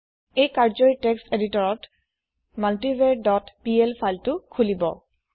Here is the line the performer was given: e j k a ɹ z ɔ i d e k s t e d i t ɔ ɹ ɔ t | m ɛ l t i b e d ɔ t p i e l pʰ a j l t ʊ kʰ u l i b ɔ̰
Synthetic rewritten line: e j k a ɹ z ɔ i t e k s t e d i t ɔ ɹ ɔ t | m a l t i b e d ɔ t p i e l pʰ a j l t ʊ kʰ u l i b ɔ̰

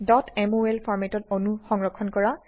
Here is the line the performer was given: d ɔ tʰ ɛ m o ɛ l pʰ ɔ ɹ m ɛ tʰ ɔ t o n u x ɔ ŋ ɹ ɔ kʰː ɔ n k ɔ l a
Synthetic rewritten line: d ɔ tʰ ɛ m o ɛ l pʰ ɔ ɹ m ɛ t ɔ t o n u x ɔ ŋ ɹ ɔ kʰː ɔ n k ɔ ɹ a

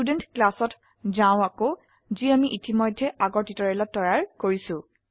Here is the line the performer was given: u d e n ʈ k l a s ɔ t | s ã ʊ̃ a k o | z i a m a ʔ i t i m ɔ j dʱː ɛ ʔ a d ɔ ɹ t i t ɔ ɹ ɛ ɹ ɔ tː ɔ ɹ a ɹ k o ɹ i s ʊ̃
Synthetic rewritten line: u d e n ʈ k l a s ɔ t | z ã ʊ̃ a k o | z i a m i ʔ i t i m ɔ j dʱː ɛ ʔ a ɡ ɔ ɹ t i t ɔ ɹ ɛ l ɔ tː ɔ ɹ a ɹ k o ɹ i s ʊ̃

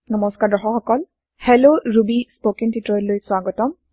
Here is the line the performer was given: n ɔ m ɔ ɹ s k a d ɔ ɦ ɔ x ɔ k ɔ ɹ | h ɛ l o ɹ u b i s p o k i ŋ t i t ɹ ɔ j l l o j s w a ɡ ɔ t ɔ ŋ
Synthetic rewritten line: n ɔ m ɔ s k a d ɔ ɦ ɔ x ɔ k ɔ l | h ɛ l o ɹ u b i s p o k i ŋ t i t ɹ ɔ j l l o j s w a ɡ ɔ t ɔ m

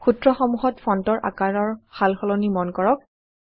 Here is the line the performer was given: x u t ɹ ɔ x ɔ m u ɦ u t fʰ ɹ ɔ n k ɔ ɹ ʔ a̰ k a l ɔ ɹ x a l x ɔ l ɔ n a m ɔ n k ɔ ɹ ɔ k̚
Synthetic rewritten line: x u t ɹ ɔ x ɔ m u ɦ ɔ t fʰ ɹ ɔ n t ɔ ɹ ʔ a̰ k a ɹ ɔ ɹ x a l x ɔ l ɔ n i m ɔ n k ɔ ɹ ɔ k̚

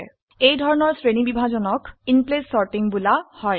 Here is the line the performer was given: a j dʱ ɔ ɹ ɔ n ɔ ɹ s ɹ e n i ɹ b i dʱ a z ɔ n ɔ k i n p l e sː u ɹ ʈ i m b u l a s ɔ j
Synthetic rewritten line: e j dʱ ɔ ɹ ɔ n ɔ ɹ s ɹ e n i b i bʱ a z ɔ n ɔ k i n p l e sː ɔ ɹ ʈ i ŋ b u l a h ɔ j

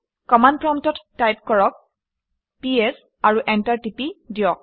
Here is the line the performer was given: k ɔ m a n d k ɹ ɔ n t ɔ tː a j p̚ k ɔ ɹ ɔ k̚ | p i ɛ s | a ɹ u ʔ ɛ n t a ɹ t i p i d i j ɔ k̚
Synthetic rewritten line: k ɔ m a n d p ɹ ɔ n t ɔ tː a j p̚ k ɔ ɹ ɔ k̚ | p i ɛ s | a ɹ u ʔ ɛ n t a ɹ t i p i d i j ɔ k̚

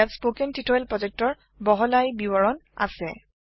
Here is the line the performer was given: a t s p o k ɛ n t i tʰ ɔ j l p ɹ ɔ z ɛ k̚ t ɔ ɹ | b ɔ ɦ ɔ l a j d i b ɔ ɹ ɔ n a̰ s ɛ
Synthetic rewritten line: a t s p o k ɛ n t i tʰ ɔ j l p ɹ ɔ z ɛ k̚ t ɔ ɹ | b ɔ ɦ ɔ l a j b i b ɔ ɹ ɔ n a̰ s ɛ

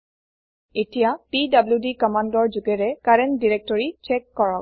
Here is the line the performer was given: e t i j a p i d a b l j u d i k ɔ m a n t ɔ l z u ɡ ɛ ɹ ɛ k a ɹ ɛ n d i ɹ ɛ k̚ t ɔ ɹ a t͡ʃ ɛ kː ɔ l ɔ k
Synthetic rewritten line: e t i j a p i d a b l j u d i k ɔ m a n d ɔ ɹ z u ɡ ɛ ɹ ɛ k a ɹ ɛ n d i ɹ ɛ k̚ t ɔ ɹ i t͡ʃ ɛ kː ɔ ɹ ɔ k

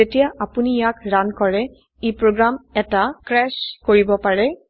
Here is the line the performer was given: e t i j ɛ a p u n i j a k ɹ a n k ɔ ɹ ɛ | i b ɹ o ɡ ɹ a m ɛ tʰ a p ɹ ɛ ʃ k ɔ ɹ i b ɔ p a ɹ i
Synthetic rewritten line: e t i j a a p u n i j a k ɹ a n k ɔ ɹ ɛ | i p ɹ o ɡ ɹ a m ɛ t a k ɹ ɛ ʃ k o ɹ i b ɔ p a ɹ ɛ

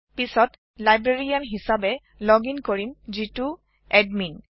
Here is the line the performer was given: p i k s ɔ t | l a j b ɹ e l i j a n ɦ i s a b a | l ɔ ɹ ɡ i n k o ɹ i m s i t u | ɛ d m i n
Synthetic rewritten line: p i s ɔ t | l a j b ɹ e ɹ i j a n ɦ i s a b ɛ | l ɔ ɡ i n k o ɹ i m z i t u | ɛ d m i n

